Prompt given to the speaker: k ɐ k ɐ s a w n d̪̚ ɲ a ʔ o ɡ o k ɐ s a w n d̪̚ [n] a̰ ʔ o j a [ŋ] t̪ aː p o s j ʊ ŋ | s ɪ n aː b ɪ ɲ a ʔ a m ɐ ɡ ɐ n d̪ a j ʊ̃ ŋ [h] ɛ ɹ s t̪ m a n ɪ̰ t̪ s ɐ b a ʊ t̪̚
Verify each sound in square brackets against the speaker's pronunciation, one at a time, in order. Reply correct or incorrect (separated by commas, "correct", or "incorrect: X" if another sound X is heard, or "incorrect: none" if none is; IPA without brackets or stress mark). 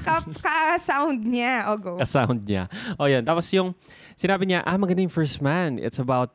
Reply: incorrect: ɲ, incorrect: n, incorrect: f